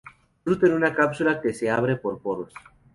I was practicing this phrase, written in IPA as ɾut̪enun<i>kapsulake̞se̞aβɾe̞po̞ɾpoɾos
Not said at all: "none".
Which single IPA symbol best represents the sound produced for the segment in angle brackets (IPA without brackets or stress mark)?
a